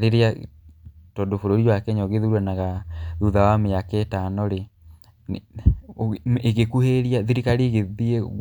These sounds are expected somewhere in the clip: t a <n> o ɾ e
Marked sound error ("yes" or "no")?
no